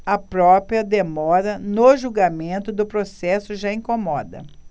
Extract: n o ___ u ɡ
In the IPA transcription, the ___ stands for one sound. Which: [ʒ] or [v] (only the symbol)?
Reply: ʒ